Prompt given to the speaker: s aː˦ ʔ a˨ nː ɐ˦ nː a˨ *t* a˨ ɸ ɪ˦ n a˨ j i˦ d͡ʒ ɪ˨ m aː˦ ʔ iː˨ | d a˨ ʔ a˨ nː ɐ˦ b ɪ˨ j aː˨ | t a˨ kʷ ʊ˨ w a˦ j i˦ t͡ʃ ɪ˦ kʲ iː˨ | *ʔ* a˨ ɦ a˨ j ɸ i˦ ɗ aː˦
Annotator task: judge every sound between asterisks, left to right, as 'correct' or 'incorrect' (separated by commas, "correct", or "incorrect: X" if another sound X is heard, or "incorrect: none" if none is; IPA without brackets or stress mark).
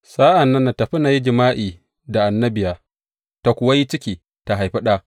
correct, incorrect: t